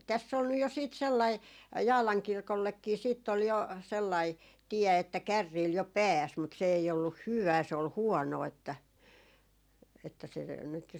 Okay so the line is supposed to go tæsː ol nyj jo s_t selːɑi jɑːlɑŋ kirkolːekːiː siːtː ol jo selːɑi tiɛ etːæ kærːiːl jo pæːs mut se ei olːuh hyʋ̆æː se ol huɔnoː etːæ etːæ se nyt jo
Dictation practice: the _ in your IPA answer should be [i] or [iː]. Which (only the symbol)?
iː